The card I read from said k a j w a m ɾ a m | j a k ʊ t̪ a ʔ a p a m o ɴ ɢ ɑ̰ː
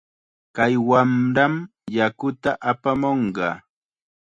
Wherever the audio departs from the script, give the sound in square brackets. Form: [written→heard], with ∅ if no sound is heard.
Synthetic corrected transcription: k a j w a m ɾ a m | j a k ʊ t̪ a ʔ a p a m o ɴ ɢ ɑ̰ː